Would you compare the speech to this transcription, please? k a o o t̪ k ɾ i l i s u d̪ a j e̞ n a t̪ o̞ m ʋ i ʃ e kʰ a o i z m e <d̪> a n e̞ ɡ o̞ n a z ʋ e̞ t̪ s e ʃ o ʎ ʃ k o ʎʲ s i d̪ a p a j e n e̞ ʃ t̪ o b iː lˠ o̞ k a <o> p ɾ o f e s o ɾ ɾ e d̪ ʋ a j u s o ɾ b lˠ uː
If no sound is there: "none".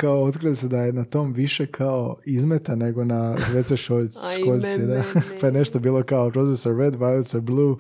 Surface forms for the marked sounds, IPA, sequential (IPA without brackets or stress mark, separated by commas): t̪, o